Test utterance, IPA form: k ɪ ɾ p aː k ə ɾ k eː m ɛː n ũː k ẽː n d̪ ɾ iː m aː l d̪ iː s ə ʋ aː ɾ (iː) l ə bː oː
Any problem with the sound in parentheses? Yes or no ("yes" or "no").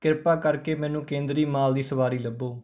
no